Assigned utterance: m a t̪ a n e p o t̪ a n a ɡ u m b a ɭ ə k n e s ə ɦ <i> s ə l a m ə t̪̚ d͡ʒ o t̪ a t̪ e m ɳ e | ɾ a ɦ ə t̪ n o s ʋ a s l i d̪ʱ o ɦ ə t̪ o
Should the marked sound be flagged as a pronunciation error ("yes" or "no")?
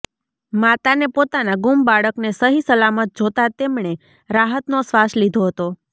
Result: no